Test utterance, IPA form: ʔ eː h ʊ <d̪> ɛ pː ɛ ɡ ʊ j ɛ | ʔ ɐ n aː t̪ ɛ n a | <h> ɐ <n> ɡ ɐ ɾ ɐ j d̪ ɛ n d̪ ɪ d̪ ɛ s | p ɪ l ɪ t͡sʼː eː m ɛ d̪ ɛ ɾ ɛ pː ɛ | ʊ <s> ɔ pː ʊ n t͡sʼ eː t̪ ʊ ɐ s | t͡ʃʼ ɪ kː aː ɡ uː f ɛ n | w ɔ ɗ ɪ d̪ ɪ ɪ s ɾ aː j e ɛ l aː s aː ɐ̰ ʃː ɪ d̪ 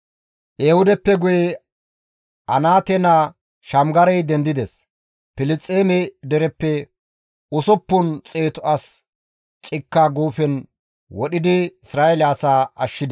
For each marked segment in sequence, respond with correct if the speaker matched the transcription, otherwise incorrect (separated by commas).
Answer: correct, incorrect, incorrect, correct